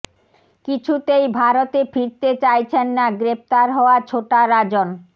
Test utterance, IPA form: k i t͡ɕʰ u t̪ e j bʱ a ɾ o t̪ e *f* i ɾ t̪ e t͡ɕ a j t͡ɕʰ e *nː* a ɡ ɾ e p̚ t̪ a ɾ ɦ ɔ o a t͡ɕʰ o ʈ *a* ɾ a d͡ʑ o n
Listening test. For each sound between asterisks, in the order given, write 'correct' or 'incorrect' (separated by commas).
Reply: correct, correct, correct